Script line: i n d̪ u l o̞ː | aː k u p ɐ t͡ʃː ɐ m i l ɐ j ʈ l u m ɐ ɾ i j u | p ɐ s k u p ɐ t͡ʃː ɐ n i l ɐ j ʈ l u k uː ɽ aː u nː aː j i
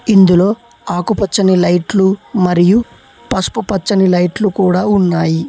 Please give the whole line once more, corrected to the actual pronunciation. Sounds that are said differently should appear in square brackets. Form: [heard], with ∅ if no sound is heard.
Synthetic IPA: i n d̪ u l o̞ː | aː k u p ɐ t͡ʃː ɐ [n] i l ɐ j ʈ l u m ɐ ɾ i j u | p ɐ s [p] u p ɐ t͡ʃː ɐ n i l ɐ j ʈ l u k uː ɽ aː u nː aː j i